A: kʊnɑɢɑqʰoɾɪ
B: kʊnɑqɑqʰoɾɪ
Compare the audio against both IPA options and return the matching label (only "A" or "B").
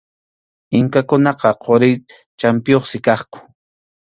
B